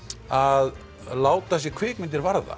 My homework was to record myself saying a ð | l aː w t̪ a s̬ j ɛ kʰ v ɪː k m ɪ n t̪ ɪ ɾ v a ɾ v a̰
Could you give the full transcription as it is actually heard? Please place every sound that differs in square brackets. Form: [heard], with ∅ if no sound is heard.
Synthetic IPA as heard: a ð | l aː w t̪ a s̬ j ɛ kʰ v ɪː k m ɪ n t̪ ɪ ɾ v a ɾ [ð] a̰